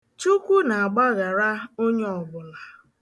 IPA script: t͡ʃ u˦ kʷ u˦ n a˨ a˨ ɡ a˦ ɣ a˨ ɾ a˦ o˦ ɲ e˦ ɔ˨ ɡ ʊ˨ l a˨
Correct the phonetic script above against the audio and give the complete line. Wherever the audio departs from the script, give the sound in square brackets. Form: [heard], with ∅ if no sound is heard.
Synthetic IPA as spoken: t͡ʃ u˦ kʷ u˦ n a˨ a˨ [ɡ͡b] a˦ ɣ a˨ ɾ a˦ o˦ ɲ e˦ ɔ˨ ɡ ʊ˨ l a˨